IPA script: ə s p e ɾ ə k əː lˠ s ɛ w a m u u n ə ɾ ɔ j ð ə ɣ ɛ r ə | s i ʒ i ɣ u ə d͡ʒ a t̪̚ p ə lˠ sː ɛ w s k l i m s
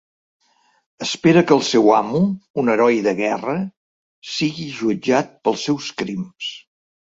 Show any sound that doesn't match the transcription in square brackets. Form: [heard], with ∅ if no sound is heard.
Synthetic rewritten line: ə s p e ɾ ə k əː lˠ s ɛ w a m u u n ə ɾ ɔ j ð ə ɣ ɛ r ə | s i [ɣ] i [ʒ] u ə d͡ʒ a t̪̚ p ə lˠ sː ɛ w s k [ɾ] i m s